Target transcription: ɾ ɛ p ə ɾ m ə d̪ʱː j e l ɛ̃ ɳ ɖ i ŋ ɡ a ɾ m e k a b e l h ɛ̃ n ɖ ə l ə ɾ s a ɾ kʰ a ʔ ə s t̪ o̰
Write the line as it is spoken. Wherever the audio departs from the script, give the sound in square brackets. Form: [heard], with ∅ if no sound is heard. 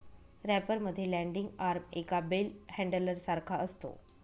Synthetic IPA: ɾ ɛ p ə ɾ m ə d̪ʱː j e l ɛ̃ ɳ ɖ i ŋ ɡ a ɾ m e k a b e l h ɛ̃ [ɳ] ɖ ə l ə ɾ s a ɾ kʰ a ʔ ə s t̪ o̰